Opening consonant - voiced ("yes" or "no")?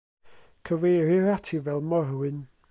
no